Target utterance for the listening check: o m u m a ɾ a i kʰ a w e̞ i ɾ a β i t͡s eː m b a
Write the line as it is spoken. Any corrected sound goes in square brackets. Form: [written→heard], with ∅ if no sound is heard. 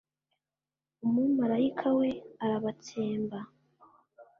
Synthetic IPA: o m u m a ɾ a i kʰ a w e̞ [i→a] ɾ a β [i→a] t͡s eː m b a